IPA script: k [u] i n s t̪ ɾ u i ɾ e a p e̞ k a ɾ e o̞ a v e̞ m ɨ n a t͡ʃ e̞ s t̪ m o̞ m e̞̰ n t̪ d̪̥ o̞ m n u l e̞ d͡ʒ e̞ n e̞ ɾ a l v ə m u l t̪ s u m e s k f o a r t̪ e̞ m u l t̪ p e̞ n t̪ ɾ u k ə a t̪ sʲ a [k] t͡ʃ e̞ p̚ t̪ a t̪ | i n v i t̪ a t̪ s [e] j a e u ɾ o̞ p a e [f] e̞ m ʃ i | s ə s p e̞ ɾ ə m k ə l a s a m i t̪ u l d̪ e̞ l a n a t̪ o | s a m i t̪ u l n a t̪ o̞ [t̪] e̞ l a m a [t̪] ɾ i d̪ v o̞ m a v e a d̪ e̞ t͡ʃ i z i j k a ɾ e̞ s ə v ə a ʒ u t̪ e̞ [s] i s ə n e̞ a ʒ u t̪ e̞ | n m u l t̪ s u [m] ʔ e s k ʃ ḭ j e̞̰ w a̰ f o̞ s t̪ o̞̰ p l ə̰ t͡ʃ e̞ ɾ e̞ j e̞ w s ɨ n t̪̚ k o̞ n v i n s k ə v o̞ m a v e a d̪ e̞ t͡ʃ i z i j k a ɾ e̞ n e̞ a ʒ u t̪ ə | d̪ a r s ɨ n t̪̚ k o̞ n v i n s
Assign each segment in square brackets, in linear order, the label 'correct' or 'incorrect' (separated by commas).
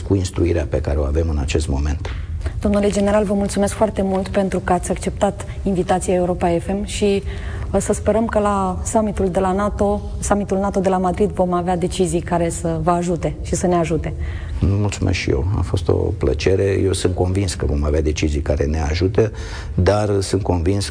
correct, correct, incorrect, correct, incorrect, incorrect, incorrect, correct